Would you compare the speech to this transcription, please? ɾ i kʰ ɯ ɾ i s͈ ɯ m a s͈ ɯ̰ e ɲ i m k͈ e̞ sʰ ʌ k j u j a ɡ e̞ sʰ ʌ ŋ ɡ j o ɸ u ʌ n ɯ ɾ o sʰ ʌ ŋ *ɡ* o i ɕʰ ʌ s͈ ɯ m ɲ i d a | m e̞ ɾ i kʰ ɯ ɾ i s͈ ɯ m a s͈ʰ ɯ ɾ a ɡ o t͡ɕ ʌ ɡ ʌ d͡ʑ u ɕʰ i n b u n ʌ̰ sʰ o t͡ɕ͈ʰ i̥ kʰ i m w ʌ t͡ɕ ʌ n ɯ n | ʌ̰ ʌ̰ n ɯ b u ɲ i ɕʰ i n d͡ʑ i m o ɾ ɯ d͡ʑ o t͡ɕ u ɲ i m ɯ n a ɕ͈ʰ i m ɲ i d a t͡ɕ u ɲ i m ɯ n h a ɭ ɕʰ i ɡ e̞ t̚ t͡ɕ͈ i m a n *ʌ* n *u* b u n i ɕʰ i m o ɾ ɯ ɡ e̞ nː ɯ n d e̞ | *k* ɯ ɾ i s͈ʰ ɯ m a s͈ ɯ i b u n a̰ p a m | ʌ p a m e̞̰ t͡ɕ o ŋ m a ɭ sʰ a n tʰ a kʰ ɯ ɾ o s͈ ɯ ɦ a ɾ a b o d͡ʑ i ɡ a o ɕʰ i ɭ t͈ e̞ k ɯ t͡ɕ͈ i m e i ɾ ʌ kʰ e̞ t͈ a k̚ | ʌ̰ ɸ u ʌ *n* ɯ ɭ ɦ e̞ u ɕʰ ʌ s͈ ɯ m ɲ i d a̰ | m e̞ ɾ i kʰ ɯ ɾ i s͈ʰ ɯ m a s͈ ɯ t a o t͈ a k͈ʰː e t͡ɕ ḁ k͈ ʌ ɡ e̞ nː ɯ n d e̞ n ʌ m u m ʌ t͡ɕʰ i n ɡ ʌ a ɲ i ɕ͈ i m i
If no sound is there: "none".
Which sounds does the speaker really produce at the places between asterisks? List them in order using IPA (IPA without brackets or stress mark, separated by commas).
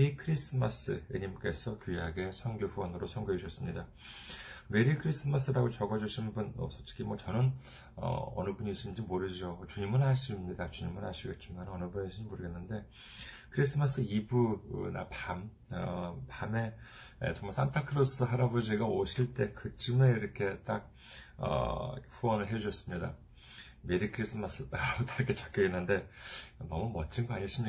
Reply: ɡ, ʌ, ɯ, kʰ, n